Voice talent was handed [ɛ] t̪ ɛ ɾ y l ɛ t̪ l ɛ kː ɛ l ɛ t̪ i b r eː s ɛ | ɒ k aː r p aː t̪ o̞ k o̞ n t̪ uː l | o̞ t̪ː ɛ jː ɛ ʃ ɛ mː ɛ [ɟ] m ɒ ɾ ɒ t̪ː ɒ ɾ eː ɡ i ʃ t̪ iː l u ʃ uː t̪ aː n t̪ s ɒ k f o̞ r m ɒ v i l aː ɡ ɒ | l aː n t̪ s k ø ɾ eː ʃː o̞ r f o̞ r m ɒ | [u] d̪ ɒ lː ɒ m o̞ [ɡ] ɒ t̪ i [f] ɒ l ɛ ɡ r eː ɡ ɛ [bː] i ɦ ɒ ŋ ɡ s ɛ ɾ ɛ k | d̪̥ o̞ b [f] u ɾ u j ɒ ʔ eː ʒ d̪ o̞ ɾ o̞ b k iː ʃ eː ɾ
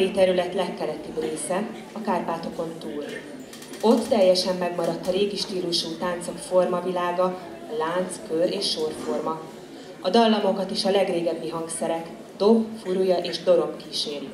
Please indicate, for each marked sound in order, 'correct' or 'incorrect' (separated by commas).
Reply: incorrect, incorrect, incorrect, incorrect, incorrect, correct, correct